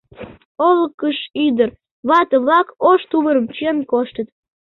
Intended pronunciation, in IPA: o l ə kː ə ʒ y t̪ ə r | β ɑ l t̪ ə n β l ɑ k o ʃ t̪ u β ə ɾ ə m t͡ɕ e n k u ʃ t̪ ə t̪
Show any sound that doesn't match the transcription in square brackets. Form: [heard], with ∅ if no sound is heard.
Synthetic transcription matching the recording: o l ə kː ə [ʃ] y [d̪] ə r | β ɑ [∅] t̪ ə [∅] β l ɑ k o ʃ t̪ u β ə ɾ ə m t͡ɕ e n k [o] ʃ t̪ ə t̪